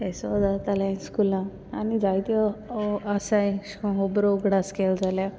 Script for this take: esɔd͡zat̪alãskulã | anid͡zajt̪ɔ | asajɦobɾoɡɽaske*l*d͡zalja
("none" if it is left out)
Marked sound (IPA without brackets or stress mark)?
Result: l